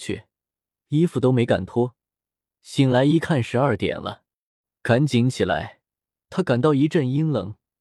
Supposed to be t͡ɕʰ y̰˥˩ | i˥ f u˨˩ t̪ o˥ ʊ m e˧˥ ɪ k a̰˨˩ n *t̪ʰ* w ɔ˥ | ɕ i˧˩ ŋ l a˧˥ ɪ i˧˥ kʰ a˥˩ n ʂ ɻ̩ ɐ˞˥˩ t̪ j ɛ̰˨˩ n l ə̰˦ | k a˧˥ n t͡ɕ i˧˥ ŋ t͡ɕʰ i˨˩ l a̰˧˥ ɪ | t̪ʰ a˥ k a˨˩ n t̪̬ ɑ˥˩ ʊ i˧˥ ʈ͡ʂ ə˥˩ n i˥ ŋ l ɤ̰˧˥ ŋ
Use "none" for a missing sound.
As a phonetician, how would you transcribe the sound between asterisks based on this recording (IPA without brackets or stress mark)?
t̪ʰ